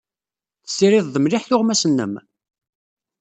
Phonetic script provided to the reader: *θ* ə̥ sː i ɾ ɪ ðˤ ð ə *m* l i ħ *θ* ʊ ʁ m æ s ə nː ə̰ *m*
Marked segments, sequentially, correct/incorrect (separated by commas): correct, correct, correct, correct